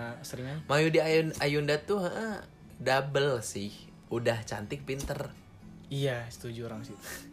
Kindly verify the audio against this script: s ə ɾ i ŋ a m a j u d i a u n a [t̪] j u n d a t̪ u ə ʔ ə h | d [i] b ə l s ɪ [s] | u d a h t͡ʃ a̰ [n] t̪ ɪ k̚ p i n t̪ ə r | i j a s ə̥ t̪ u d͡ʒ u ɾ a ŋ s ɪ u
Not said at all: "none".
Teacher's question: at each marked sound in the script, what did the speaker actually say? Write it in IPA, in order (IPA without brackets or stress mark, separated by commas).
none, a, h, n